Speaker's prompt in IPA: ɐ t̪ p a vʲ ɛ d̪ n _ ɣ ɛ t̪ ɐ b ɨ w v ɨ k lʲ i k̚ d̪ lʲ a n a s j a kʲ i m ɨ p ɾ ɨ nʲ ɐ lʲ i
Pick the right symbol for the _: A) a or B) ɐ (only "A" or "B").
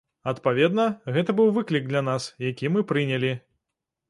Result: B